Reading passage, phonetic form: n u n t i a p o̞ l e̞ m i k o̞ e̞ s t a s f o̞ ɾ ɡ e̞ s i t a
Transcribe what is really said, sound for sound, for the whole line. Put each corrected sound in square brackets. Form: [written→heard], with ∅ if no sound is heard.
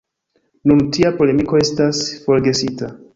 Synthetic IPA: n u n t i a p o̞ l e̞ m i k o̞ e̞ s t a s f o̞ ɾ ɡ e̞ s i t a

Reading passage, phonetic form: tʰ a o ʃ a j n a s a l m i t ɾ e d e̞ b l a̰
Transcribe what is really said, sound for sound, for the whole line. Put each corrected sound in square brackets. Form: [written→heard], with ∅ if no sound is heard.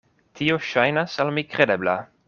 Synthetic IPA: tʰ [a→i] o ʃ a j n a s a l m i [t→k] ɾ e d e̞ b l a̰

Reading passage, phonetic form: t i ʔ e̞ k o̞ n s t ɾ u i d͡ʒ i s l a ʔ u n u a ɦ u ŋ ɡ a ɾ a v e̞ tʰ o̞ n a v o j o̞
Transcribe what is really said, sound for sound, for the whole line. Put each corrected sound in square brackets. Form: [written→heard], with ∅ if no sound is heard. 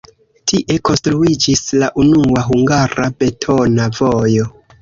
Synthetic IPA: t i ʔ e̞ k o̞ n s t ɾ u i d͡ʒ i s l a ʔ u n u a ɦ u ŋ ɡ a ɾ a [v→b] e̞ tʰ o̞ n a v o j o̞

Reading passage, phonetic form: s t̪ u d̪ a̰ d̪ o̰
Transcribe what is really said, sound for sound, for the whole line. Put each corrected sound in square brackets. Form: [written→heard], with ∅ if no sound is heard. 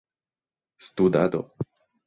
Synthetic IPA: s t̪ u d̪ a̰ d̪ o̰

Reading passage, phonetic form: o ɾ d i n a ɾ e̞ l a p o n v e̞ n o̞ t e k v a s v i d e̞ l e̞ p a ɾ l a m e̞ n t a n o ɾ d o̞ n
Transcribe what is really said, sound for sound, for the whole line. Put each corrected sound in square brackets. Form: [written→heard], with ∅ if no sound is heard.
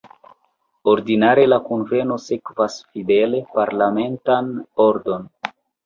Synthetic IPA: o ɾ d i n a ɾ e̞ l a [p→k] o n v e̞ n o̞ [t→s] e k v a s [v→f] i d e̞ l e̞ p a ɾ l a m e̞ n t a n o ɾ d o̞ n

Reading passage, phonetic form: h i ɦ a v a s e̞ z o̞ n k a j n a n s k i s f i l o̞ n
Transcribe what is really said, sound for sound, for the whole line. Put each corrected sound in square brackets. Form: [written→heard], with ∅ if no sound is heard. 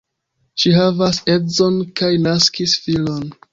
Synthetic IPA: [h→ʃ] i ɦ a v a s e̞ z o̞ n k a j n a [n→∅] s k i s f i l o̞ n

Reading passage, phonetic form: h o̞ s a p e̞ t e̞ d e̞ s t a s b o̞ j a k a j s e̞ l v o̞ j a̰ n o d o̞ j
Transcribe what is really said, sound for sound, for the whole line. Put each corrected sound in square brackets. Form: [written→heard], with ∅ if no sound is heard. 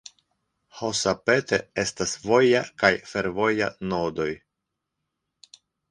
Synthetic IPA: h o̞ s a p e̞ t e̞ [d→∅] e̞ s t a s [b→v] o̞ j a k a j [s→f] e̞ [l→ɾ] v o̞ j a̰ n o d o̞ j

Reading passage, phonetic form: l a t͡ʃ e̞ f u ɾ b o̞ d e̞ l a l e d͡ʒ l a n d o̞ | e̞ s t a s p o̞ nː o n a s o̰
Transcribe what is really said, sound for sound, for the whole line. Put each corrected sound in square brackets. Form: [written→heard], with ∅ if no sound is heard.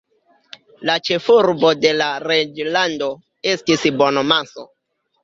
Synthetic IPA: l a t͡ʃ e̞ f u ɾ b o̞ d e̞ l a [l→ɾ] e d͡ʒ l a n d o̞ | e̞ s t [a→i] s [p→b] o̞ [nː→n] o [n→m] a s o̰

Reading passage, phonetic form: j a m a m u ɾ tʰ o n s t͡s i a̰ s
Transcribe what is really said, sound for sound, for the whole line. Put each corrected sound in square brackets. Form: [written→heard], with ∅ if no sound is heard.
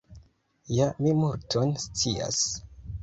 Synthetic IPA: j a m [a→i] m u ɾ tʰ o n s t͡s i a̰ s

